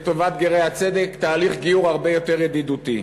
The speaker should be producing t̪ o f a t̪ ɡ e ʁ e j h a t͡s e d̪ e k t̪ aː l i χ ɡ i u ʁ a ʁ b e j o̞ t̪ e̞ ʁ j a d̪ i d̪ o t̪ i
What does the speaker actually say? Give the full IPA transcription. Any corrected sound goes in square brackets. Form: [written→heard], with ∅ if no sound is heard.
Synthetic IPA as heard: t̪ o [f→v] a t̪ ɡ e ʁ e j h a t͡s e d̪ e k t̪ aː l i χ ɡ i u ʁ a ʁ b e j o̞ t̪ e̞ ʁ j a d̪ i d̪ [o→u] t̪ i